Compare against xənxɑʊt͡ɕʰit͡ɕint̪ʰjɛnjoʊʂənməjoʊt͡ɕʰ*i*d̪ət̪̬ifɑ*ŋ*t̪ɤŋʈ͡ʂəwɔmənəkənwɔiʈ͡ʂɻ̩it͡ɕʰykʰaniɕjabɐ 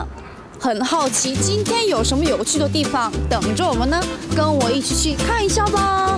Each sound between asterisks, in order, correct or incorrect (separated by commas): incorrect, correct